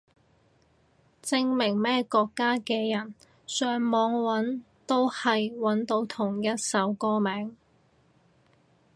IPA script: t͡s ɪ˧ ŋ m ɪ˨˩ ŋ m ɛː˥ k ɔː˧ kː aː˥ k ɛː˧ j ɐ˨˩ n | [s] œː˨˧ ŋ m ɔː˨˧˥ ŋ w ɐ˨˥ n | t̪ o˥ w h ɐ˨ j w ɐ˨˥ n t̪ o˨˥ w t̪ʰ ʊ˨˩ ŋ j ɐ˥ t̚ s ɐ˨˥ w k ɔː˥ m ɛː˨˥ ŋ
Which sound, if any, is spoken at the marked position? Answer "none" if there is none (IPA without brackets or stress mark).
s